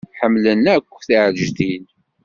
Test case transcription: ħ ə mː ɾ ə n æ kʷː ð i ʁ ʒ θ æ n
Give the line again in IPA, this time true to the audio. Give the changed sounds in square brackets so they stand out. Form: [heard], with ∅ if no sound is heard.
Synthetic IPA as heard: ħ ə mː [l] ə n æ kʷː [θ] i [ʕ] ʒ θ [i] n